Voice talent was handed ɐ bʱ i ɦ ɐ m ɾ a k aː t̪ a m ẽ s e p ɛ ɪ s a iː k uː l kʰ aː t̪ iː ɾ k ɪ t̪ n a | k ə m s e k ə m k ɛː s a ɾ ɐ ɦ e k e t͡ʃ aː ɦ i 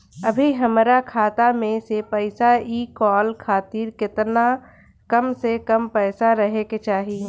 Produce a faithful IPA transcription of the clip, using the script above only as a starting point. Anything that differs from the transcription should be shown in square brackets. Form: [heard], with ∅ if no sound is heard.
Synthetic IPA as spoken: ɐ bʱ i ɦ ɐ m ɾ a [kʰ] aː t̪ a m ẽ s e p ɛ ɪ s a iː k [ɔː] l kʰ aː t̪ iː ɾ k ɪ t̪ n a | k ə m s e k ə m [p] ɛː s a ɾ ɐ ɦ e k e t͡ʃ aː ɦ i